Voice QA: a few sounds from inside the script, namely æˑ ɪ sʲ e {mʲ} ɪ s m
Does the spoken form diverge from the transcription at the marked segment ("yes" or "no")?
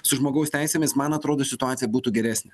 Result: no